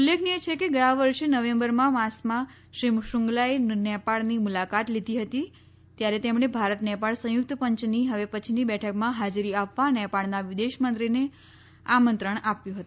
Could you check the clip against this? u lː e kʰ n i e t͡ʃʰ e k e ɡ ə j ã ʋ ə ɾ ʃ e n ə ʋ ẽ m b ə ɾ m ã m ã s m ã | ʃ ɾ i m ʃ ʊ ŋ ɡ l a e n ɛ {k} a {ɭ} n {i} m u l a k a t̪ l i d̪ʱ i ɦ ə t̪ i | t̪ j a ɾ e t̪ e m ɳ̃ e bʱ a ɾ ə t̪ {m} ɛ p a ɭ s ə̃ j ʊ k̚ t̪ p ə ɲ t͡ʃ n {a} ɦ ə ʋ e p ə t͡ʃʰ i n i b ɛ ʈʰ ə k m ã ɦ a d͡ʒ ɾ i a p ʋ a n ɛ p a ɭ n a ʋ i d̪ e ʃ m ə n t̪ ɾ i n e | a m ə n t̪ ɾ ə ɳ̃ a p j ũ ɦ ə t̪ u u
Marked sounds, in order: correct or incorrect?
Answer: incorrect, correct, correct, incorrect, incorrect

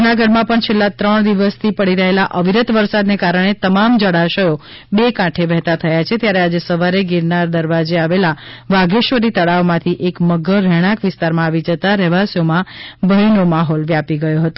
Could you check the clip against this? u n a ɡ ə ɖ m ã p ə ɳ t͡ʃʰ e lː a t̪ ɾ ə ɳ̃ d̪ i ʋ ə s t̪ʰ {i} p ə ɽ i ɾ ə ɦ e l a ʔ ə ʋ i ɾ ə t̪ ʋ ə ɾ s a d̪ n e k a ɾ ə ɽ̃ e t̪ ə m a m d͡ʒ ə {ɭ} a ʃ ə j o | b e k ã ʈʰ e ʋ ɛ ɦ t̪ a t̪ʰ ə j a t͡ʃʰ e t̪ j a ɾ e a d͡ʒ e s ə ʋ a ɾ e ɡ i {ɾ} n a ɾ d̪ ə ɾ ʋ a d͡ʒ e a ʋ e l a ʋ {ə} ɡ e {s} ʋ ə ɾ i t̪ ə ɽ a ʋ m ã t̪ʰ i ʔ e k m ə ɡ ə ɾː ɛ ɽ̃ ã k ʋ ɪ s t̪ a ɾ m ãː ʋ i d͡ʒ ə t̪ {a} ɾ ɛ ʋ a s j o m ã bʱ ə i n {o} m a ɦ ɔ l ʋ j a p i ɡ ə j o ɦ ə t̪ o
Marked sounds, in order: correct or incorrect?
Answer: correct, incorrect, correct, incorrect, incorrect, correct, correct

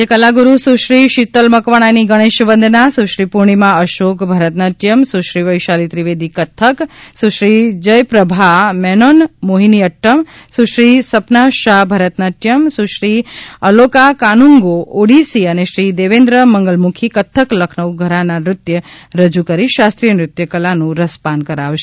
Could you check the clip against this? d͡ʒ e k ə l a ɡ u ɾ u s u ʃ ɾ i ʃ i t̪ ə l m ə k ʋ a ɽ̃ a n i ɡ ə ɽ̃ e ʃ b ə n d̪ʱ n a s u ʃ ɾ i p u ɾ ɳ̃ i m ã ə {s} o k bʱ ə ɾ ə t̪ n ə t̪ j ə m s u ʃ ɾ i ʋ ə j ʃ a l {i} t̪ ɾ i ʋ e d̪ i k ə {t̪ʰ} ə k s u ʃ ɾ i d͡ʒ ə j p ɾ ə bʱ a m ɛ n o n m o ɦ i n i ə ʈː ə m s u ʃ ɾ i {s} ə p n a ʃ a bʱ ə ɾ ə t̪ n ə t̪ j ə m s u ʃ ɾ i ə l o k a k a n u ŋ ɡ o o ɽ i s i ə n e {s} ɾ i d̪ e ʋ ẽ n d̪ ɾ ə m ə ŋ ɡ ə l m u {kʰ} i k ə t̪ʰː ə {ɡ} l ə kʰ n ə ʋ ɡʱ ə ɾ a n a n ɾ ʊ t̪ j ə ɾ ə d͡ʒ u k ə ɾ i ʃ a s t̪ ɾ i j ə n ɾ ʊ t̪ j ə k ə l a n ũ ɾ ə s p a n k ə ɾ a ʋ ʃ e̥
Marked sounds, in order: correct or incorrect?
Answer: incorrect, correct, correct, correct, incorrect, correct, incorrect

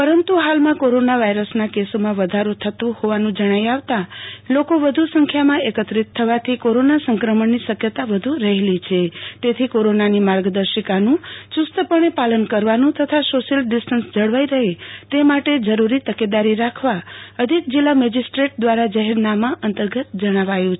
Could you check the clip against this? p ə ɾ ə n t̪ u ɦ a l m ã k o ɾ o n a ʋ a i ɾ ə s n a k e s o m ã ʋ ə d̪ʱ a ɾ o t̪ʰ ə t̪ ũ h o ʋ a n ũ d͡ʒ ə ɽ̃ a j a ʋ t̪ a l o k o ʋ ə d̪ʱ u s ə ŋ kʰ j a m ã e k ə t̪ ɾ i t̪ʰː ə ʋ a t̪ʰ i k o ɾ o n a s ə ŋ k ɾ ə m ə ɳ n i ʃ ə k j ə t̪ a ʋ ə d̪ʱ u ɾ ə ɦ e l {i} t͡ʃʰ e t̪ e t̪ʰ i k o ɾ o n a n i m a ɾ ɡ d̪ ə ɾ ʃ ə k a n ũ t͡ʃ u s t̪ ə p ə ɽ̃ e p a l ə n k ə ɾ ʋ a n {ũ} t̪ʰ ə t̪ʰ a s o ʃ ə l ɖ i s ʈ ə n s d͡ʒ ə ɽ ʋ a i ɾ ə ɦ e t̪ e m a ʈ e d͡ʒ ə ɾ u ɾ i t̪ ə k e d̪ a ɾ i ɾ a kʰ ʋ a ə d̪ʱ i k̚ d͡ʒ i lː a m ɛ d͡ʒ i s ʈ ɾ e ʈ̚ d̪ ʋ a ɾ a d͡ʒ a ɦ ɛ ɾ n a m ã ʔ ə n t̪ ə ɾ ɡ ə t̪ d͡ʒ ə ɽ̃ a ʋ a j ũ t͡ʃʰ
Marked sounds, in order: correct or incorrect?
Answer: correct, correct

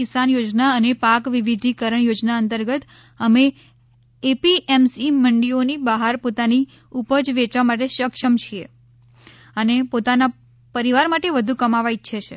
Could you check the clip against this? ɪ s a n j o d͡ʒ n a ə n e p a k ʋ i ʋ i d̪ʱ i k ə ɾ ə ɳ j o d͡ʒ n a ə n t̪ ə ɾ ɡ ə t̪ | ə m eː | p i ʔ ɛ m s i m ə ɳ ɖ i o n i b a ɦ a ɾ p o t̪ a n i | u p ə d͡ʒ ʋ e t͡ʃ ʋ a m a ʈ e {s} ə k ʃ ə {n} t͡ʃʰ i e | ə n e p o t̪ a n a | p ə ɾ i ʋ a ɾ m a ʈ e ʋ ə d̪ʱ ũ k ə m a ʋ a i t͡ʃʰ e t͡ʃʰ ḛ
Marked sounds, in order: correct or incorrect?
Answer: incorrect, incorrect

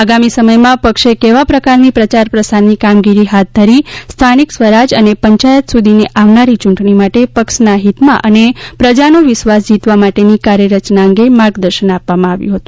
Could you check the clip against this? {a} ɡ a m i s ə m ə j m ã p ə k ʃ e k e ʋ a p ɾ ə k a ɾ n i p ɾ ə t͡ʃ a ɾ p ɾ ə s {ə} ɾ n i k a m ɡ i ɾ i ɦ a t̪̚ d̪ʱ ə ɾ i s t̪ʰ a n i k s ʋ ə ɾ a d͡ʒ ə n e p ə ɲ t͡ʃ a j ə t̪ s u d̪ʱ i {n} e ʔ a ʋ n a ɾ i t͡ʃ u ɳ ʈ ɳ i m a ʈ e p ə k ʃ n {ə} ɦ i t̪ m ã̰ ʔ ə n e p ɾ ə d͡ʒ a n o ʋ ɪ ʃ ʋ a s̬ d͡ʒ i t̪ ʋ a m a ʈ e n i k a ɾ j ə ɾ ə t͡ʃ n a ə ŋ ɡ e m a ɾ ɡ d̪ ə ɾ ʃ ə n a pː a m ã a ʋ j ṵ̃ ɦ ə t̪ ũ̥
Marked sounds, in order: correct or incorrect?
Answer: correct, incorrect, correct, incorrect

